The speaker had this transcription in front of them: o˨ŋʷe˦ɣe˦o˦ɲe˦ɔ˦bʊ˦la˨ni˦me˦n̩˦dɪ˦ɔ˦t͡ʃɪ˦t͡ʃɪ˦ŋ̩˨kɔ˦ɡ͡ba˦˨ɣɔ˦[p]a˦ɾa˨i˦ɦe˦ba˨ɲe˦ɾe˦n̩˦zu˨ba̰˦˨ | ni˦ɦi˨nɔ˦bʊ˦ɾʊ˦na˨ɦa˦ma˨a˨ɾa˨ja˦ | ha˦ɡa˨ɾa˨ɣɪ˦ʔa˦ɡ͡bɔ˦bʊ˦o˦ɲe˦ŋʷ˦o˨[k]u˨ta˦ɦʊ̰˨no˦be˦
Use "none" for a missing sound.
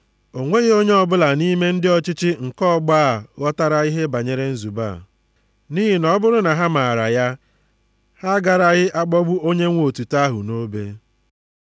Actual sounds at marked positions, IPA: t, t

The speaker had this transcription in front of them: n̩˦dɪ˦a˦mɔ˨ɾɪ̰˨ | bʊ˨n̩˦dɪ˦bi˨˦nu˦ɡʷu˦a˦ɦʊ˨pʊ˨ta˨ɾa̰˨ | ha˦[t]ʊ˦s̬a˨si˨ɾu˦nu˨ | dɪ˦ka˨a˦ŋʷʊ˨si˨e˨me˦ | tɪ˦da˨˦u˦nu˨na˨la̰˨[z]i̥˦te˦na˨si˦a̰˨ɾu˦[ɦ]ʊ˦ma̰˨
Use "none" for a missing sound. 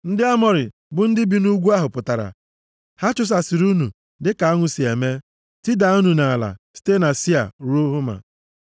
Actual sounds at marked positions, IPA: t͡ʃ, s, ɦ

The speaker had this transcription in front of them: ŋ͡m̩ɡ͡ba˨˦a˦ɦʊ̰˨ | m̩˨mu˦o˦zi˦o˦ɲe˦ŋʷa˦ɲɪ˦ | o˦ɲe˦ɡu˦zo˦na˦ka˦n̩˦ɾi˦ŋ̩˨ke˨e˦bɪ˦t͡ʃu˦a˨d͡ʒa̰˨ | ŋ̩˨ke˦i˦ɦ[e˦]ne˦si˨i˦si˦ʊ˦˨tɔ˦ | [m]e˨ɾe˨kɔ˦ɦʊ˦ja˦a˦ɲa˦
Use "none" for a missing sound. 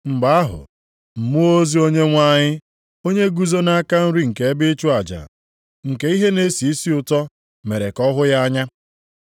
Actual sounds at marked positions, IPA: e˦, m

